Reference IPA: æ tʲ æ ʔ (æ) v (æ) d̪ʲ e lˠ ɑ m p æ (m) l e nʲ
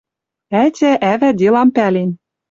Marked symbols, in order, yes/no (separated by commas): yes, yes, no